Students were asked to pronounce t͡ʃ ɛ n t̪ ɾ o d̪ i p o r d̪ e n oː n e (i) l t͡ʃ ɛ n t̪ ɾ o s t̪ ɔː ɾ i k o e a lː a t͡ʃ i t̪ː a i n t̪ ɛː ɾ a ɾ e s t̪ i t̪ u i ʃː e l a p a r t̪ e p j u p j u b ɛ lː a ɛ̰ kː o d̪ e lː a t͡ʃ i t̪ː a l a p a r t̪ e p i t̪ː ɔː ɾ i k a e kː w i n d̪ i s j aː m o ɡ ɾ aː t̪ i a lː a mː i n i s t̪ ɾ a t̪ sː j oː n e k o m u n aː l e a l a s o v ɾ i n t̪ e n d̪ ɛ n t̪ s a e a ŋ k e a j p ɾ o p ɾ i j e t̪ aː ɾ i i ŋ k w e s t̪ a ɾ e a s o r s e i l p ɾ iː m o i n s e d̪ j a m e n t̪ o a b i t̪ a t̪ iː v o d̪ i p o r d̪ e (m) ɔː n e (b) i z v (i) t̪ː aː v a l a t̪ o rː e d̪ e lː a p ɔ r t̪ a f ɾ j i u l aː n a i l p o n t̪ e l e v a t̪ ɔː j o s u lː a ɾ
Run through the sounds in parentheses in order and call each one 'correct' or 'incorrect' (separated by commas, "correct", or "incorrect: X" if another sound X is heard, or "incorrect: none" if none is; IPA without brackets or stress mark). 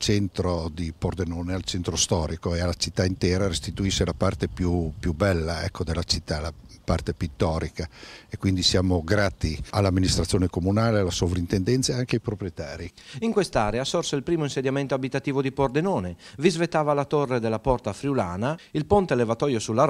incorrect: a, incorrect: n, incorrect: v, incorrect: e